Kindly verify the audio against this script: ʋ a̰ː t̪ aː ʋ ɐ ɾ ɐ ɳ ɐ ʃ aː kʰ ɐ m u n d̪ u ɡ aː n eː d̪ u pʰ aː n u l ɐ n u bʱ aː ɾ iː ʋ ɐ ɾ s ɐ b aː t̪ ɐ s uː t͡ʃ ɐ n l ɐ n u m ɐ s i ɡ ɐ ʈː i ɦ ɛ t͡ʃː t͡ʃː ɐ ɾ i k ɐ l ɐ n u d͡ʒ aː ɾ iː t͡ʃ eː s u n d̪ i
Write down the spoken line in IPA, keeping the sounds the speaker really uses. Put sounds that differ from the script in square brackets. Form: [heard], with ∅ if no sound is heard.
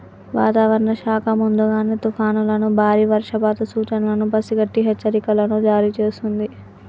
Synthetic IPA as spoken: ʋ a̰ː t̪ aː ʋ ɐ ɾ ɐ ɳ ɐ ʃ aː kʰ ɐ m u n d̪ u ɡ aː n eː [t̪] u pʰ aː n u l ɐ n u bʱ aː ɾ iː ʋ ɐ ɾ [ʂ] ɐ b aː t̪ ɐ s uː t͡ʃ ɐ n l ɐ n u [b] ɐ s i ɡ ɐ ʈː i ɦ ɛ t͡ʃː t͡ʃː ɐ ɾ i k ɐ l ɐ n u d͡ʒ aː ɾ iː t͡ʃ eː s u n d̪ i